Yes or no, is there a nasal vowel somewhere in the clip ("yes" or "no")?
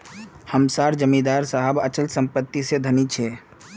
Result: no